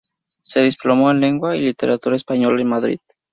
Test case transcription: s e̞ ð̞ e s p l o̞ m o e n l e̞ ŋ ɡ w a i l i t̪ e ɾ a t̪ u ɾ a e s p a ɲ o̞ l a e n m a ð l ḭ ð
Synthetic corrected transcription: s e̞ ð̞ i s p l o̞ m o e n l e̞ ŋ ɡ w a i l i t̪ e ɾ a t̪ u ɾ a e s p a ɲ o̞ l a e n m a ð ɾ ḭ ð